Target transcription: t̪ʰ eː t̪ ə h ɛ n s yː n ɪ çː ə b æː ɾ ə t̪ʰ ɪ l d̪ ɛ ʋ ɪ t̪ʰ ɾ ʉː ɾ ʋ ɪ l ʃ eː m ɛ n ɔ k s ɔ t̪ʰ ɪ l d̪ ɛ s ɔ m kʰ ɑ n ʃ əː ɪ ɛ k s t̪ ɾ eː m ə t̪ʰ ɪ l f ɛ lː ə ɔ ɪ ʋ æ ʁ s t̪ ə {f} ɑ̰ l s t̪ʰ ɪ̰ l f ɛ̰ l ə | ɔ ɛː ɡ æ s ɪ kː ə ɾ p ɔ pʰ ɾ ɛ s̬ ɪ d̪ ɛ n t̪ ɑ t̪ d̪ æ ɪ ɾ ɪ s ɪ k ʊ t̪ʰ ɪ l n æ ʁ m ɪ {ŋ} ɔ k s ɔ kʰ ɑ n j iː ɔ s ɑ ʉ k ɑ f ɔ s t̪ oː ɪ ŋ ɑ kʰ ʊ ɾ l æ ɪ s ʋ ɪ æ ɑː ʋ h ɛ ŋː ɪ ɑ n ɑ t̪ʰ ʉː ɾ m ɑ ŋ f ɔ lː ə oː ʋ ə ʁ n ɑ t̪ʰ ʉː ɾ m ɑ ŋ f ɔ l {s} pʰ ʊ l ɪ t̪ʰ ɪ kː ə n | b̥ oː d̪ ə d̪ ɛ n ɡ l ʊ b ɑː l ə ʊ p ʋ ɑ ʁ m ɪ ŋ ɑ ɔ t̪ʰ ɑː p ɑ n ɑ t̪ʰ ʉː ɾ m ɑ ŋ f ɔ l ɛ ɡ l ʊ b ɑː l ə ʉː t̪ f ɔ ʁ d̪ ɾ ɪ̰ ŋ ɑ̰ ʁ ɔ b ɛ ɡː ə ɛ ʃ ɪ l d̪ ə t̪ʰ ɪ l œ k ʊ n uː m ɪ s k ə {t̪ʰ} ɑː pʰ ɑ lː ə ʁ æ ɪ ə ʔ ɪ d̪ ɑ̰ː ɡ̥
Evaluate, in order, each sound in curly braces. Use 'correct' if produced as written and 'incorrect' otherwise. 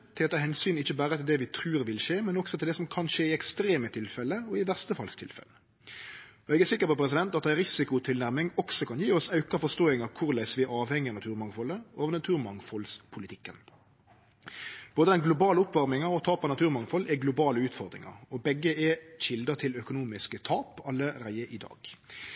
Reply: correct, correct, correct, correct

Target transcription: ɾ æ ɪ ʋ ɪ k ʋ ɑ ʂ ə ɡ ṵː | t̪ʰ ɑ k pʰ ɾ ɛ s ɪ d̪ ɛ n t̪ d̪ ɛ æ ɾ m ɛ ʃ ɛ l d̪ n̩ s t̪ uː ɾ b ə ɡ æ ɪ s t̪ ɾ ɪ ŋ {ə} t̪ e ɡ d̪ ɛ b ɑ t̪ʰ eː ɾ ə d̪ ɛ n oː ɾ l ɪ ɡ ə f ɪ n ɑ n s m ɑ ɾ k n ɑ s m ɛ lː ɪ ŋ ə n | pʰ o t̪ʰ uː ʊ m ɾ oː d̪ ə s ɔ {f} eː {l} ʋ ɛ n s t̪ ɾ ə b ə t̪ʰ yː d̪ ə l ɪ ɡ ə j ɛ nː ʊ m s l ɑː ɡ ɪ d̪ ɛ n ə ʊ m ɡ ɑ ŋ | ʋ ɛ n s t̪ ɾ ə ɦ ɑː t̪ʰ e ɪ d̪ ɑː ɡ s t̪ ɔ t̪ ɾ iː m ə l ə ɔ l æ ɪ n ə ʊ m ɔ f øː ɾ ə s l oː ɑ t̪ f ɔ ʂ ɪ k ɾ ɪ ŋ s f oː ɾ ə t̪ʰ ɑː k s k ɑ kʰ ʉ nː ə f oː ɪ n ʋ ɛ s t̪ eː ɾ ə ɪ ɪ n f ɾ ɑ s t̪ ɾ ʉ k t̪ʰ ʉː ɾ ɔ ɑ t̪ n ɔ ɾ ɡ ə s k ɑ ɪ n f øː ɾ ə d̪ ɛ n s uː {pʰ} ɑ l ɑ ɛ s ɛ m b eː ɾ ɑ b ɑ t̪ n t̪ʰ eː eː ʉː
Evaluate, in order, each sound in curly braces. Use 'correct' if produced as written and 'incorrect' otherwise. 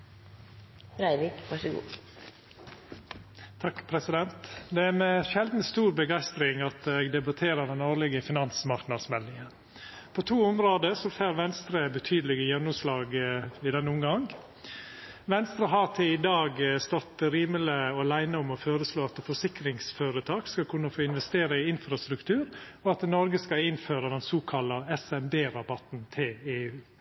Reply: incorrect, correct, incorrect, incorrect

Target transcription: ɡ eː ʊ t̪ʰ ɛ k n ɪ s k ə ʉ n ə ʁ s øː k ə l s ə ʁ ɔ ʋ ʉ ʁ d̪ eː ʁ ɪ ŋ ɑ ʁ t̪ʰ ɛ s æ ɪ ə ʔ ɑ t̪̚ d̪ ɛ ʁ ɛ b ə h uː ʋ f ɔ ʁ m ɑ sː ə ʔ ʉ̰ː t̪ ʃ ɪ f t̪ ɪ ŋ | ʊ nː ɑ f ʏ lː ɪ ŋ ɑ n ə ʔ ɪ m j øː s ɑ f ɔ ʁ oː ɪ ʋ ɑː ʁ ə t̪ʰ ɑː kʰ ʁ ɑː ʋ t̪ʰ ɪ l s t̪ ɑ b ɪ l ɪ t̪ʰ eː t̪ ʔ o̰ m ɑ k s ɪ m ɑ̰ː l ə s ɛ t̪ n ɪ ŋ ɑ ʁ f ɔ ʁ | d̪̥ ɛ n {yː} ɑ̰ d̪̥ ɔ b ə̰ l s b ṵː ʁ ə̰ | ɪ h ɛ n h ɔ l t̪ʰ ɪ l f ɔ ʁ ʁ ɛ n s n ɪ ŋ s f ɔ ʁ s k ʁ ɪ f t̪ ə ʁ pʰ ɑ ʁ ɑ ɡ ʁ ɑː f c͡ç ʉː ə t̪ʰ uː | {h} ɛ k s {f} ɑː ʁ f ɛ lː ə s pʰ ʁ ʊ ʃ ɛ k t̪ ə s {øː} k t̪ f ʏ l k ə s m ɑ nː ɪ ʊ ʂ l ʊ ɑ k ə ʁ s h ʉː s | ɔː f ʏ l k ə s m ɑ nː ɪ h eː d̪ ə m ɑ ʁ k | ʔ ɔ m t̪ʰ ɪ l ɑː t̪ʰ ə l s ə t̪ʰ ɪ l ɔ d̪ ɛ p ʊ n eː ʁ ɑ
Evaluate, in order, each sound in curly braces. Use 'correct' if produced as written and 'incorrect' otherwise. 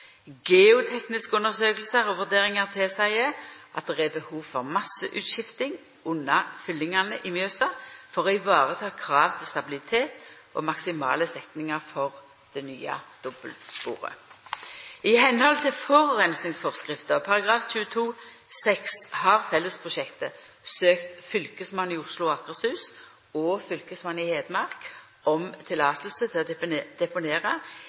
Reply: correct, incorrect, incorrect, correct

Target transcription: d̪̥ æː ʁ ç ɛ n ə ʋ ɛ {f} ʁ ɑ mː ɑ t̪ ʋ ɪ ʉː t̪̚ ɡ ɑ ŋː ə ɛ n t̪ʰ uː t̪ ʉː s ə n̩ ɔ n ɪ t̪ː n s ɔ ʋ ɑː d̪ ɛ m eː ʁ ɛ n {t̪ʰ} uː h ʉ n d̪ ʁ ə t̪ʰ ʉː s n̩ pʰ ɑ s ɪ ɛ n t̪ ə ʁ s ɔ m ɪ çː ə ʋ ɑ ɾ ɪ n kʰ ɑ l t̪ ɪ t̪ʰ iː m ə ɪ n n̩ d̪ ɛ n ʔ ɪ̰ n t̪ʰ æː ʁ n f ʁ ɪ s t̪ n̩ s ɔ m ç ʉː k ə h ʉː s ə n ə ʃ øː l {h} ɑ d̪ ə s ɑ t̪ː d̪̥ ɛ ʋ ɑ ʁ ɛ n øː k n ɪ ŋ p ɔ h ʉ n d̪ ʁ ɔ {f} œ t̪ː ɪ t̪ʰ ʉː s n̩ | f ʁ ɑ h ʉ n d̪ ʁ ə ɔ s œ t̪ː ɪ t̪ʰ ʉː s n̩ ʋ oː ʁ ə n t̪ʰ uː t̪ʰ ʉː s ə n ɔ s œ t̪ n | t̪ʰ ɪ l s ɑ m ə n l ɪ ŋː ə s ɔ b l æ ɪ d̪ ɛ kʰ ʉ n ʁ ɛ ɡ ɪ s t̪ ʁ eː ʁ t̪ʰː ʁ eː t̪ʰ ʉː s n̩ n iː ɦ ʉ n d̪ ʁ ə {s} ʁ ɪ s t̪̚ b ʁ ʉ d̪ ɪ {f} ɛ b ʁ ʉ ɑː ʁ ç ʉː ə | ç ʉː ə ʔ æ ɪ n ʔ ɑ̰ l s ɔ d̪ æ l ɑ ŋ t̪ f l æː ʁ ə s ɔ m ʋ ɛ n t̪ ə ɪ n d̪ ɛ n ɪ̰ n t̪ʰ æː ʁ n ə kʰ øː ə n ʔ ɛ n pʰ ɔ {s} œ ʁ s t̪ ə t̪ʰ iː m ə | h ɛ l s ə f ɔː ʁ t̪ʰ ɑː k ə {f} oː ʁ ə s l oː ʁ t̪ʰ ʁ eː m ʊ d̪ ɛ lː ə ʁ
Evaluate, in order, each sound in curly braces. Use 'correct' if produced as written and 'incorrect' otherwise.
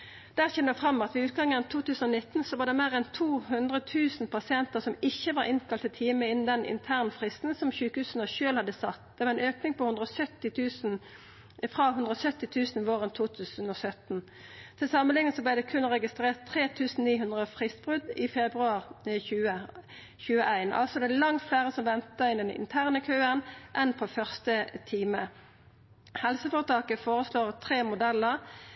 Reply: correct, correct, correct, incorrect, incorrect, correct, incorrect, correct

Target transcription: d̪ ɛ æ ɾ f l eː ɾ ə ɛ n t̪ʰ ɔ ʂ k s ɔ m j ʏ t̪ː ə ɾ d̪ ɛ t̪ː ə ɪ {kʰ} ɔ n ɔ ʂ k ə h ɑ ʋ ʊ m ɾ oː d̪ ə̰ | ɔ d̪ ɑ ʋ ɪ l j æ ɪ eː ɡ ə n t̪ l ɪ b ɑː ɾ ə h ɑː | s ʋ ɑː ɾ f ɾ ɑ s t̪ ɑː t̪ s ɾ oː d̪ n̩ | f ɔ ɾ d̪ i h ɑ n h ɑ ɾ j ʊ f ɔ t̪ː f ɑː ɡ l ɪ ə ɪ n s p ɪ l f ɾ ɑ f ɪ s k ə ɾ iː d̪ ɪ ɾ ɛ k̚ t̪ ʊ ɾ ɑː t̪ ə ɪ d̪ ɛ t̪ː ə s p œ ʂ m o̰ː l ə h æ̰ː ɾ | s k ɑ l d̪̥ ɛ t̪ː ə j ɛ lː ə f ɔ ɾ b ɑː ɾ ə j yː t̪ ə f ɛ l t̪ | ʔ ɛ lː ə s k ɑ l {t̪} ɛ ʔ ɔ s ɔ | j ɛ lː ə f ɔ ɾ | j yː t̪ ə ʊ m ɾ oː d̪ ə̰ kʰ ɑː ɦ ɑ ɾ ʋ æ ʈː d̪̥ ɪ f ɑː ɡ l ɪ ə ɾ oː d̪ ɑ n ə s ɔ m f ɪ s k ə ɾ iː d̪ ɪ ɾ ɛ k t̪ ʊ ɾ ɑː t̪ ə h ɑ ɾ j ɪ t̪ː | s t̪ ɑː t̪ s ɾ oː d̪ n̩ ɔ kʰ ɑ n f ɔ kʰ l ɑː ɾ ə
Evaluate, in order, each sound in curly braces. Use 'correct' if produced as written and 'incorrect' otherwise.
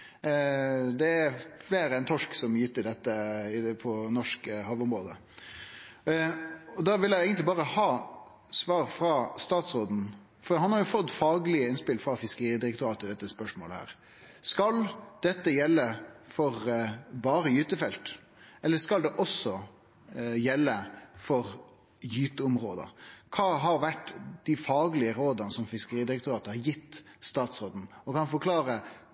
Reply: incorrect, incorrect

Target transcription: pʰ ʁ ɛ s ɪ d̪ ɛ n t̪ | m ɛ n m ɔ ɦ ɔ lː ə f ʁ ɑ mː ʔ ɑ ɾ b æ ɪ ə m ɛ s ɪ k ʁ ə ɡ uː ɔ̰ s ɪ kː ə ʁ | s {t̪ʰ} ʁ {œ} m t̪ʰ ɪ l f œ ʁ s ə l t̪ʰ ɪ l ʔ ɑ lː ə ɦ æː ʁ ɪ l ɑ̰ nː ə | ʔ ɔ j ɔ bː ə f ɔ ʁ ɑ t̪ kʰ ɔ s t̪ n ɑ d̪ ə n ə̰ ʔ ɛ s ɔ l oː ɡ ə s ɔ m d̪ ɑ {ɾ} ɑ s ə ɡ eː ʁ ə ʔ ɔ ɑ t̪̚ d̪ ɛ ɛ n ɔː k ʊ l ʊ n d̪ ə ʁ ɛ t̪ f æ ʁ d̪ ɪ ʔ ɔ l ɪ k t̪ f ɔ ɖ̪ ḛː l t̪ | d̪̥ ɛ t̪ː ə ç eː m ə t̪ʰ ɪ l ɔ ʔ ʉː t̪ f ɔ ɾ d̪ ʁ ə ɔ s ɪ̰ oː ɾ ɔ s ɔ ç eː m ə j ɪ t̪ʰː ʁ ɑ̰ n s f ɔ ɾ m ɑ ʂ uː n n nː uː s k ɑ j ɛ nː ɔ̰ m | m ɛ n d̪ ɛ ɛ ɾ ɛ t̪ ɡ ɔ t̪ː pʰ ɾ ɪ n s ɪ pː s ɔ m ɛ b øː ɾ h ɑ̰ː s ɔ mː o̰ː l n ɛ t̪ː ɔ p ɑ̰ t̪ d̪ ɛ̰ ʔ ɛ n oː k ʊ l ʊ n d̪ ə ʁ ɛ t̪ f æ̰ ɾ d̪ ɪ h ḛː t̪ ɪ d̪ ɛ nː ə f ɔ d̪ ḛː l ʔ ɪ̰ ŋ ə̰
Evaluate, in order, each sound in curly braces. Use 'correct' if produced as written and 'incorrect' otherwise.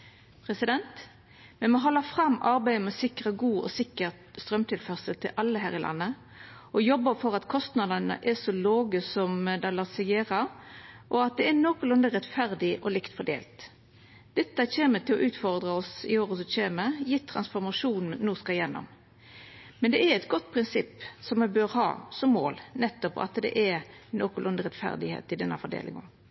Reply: incorrect, correct, incorrect

